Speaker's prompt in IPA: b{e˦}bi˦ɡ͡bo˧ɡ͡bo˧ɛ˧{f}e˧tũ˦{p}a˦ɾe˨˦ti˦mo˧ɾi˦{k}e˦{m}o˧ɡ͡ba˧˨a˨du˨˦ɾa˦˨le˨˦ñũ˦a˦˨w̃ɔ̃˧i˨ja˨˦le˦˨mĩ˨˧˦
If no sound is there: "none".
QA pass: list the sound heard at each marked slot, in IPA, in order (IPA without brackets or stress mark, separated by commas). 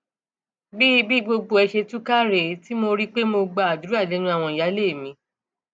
i˦, ʃ, k, k͡p, m